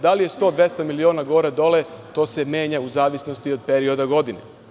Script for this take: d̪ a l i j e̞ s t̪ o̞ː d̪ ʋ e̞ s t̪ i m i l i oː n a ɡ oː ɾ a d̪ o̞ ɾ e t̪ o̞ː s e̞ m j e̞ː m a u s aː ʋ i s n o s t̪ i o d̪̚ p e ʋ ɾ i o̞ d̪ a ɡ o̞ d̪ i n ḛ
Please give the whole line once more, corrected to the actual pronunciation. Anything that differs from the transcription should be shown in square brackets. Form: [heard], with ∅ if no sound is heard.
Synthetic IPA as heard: d̪ a l i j e̞ s t̪ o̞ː d̪ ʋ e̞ s t̪ [a] m i l i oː n a ɡ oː ɾ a d̪ o̞ [l] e t̪ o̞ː s e̞ m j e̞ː [ɲ] a u [z] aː ʋ i s n o s t̪ i o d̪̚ p e [∅] ɾ i o̞ d̪ a ɡ o̞ d̪ i n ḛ